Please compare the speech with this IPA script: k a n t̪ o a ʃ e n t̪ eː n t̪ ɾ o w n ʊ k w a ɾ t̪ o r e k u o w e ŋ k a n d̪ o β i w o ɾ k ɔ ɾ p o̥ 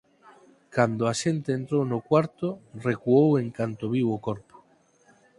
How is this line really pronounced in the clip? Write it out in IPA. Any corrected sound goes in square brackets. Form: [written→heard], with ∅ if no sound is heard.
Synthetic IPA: k a n [t̪→d̪] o a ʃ e n t̪ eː n t̪ ɾ o w n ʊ k w a ɾ t̪ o r e k u o w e ŋ k a n [d̪→t̪] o β i w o [ɾ→∅] k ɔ ɾ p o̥